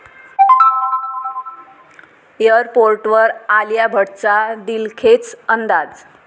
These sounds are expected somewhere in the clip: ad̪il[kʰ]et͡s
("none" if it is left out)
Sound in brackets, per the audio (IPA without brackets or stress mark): kʰ